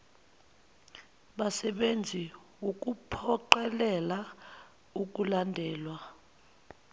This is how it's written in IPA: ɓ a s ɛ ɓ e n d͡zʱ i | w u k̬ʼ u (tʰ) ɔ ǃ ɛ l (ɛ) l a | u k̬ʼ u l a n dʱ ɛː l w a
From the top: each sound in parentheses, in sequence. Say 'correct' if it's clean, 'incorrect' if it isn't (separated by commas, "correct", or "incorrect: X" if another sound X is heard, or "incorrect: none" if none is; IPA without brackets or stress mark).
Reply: incorrect: pʰ, correct